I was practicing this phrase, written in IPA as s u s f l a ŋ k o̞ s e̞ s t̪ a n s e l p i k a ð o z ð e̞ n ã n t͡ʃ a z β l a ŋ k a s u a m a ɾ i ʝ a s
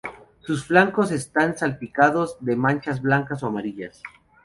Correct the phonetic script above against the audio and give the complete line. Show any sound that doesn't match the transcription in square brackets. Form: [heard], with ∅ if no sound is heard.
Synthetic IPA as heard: s u s f l a ŋ k o̞ s e̞ s t̪ a n s [a] l p i k a ð o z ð e̞ [m] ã n t͡ʃ a z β l a ŋ k a s [o] a m a ɾ i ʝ a s